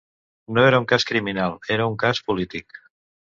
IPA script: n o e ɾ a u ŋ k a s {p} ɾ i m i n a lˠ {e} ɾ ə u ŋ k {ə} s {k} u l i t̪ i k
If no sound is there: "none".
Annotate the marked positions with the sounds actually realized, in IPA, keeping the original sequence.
k, e, a, p

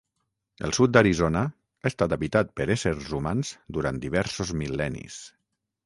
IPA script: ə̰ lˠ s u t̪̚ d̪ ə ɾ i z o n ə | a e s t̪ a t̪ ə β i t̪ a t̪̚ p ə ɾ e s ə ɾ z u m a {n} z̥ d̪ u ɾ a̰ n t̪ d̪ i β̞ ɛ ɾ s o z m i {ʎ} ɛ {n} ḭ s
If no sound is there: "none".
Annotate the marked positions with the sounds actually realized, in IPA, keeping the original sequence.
n, l, n

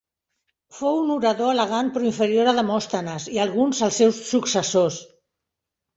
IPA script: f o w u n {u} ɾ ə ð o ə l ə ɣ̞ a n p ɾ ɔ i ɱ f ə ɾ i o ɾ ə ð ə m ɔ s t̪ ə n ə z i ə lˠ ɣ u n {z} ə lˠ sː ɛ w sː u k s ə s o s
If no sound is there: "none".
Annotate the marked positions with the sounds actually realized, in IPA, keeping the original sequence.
u, z

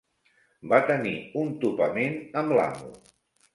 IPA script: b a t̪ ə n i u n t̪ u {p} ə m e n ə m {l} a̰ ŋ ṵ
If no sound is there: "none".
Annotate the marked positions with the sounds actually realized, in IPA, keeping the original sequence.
p, l

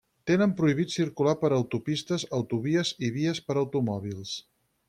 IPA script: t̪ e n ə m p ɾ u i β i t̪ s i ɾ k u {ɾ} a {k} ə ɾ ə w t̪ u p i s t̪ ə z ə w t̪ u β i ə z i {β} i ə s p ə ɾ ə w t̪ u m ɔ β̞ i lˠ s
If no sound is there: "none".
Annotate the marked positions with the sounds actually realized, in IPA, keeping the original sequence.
l, p, β

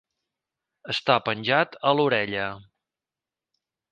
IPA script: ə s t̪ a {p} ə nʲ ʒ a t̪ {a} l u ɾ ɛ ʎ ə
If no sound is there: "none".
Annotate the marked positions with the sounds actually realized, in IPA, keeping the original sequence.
p, ə

